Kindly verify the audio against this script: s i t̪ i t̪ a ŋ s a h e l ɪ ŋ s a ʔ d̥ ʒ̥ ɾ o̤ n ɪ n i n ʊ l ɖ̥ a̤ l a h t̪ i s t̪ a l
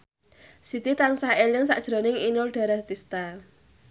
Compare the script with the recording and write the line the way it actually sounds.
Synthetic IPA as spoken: s i t̪ i t̪ a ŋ s a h e l ɪ ŋ s a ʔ d̥ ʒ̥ ɾ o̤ n ɪ ŋ i n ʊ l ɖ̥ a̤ ɾ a h t̪ i s t̪ a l